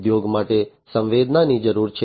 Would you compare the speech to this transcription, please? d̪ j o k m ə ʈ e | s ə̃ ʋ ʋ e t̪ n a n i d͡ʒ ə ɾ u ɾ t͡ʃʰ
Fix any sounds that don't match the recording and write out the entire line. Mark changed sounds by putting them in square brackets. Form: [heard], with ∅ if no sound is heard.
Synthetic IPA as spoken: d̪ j o [ɡ] m [a] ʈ e | s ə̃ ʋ ʋ e [d̪] n a n i d͡ʒ ə ɾ u ɾ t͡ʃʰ